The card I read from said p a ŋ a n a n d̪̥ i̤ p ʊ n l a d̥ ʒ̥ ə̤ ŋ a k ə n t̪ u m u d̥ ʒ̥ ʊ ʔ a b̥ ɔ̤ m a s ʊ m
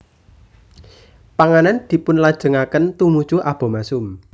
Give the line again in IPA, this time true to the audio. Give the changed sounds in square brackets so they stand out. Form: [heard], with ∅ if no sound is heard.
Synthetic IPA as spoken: p a ŋ a n a n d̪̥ i̤ p ʊ n l a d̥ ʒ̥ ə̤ ŋ a k ə n t̪ u m u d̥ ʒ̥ [u] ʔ a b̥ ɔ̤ m a s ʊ m